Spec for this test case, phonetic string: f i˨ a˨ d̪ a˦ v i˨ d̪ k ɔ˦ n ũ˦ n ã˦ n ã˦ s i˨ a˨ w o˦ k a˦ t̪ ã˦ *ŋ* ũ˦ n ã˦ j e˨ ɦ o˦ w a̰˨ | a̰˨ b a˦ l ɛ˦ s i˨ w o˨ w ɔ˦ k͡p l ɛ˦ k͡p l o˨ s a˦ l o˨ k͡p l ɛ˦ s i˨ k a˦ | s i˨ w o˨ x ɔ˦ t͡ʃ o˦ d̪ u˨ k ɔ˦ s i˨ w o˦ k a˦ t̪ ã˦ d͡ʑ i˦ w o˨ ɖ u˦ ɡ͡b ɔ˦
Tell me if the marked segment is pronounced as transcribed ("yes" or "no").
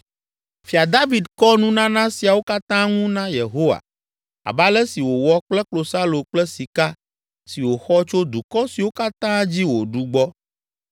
yes